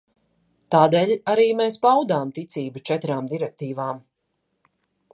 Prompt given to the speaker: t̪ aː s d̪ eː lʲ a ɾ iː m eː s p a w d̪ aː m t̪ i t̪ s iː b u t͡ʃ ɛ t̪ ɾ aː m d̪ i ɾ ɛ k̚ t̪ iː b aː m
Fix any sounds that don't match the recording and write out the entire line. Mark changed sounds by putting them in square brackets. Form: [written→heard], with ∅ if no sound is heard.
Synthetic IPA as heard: t̪ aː [s→∅] d̪ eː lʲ a ɾ iː m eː s p a w d̪ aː m t̪ i t̪ s iː b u t͡ʃ ɛ t̪ ɾ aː m d̪ i ɾ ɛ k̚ t̪ iː [b→v] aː m